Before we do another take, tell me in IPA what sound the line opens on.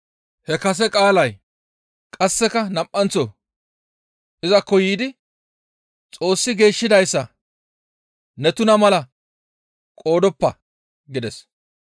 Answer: h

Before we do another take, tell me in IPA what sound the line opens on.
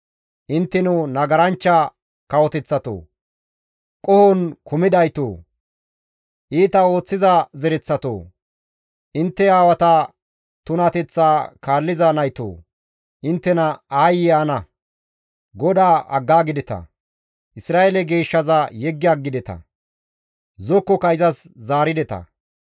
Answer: ʔ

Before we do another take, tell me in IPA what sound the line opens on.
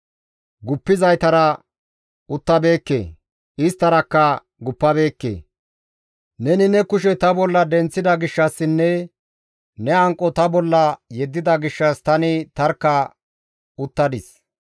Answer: ɡ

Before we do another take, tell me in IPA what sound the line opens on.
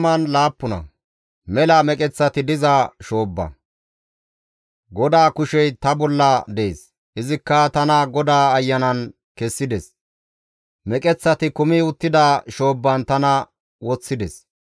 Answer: m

